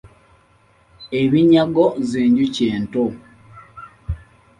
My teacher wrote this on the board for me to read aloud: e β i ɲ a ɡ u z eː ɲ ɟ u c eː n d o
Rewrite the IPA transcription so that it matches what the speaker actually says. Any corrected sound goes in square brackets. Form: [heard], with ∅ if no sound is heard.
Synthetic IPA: e β i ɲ a ɡ [o] z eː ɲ ɟ u c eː n [t] o